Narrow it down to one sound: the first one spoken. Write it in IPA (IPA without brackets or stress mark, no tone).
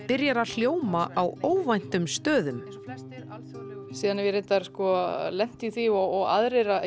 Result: p